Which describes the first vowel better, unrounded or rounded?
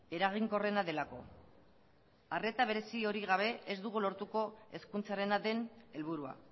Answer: unrounded